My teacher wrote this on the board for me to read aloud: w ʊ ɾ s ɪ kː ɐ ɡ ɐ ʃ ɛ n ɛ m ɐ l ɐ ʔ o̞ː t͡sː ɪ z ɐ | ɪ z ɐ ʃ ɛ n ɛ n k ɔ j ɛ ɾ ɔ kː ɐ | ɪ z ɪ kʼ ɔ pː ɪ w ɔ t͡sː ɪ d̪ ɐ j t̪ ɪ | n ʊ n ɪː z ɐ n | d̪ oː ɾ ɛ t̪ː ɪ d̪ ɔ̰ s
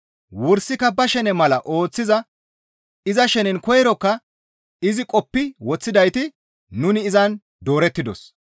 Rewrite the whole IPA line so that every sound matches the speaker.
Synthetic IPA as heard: w ʊ ɾ s ɪ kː ɐ b ɐ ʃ ɛ n ɛ m ɐ l ɐ ʔ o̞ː t͡sː ɪ z ɐ | ɪ z ɐ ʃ ɛ n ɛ n k ɔ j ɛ ɾ ɔ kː ɐ | ɪ z ɪ kʼ ɔ pː ɪ w ɔ t͡sː ɪ d̪ ɐ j t̪ ɪ | n ʊ n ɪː z ɐ n | d̪ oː ɾ ɛ t̪ː ɪ d̪ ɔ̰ s